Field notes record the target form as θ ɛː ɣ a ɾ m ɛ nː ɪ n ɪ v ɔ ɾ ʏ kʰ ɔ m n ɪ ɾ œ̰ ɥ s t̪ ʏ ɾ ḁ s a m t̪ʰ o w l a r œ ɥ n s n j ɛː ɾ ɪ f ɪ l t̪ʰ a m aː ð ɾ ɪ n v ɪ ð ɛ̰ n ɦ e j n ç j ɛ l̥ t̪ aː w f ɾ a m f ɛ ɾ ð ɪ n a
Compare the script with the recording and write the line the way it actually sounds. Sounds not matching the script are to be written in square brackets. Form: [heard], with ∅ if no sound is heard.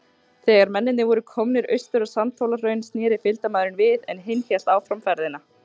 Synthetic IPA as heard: θ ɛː ɣ a ɾ m ɛ nː ɪ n ɪ v ɔ ɾ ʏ kʰ ɔ m n ɪ ɾ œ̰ ɥ s t̪ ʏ ɾ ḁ s a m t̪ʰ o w l a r œ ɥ n s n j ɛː ɾ ɪ f ɪ l [t̪] a m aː ð ɾ ɪ n v ɪ ð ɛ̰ n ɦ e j n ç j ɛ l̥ t̪ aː w f ɾ a m f ɛ ɾ ð ɪ n a